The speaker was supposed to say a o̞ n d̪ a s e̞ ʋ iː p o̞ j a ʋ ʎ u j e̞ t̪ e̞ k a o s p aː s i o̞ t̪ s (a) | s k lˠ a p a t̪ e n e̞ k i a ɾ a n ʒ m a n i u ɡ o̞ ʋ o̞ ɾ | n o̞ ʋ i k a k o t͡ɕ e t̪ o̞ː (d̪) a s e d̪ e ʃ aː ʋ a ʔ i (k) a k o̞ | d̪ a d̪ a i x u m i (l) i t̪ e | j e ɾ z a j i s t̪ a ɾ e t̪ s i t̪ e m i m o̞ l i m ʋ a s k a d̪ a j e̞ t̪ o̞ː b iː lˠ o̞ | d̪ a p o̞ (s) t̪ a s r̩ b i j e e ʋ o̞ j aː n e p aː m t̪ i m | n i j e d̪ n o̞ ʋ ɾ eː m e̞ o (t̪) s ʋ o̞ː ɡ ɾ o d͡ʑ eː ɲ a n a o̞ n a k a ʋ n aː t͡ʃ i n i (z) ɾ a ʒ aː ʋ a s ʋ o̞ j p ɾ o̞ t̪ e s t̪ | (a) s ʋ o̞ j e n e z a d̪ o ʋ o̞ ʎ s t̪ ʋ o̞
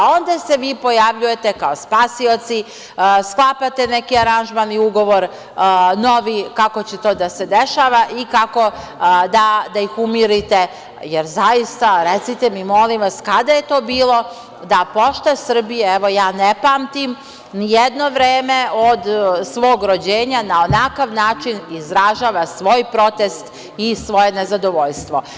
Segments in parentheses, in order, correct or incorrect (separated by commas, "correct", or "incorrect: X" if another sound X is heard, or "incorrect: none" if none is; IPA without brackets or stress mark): incorrect: i, correct, correct, incorrect: ɾ, incorrect: ʃ, incorrect: d̪, correct, incorrect: i